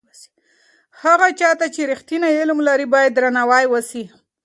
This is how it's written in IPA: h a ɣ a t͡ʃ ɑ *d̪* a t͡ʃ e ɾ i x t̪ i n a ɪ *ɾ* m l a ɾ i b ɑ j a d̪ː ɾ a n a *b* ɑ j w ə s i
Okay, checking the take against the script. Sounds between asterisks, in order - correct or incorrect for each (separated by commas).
incorrect, incorrect, incorrect